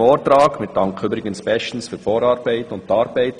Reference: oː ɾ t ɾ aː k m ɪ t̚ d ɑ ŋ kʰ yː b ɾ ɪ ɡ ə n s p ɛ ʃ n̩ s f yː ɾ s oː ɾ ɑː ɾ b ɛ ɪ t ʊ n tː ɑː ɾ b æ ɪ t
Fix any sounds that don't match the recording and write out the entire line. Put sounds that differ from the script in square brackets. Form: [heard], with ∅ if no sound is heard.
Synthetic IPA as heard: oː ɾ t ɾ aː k m ɪ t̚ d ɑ ŋ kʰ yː b ɾ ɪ ɡ ə n s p ɛ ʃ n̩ s f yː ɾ [f] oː ɾ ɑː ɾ b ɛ ɪ t ʊ n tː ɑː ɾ b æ ɪ t